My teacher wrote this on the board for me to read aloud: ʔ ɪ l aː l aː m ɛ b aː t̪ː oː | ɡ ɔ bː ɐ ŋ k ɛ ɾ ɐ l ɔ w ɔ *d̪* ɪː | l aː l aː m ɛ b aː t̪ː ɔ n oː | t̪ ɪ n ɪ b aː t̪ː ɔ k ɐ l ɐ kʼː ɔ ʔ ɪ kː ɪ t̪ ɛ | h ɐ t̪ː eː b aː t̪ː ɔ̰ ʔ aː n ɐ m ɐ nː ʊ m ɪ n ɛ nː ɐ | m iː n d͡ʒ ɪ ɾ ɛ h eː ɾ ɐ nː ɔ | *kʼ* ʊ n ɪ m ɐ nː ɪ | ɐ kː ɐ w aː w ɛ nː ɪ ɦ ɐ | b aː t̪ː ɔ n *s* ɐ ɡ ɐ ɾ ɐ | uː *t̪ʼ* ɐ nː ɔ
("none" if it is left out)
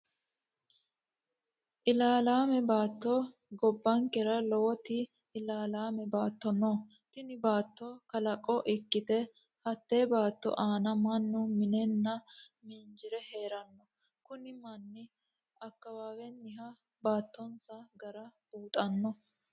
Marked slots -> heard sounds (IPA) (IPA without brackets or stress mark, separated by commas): t̪, k, s, t̪ʼ